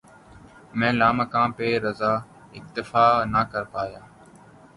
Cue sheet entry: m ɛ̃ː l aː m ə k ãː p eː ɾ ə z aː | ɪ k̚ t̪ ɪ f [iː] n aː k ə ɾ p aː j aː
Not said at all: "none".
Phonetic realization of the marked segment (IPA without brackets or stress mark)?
aː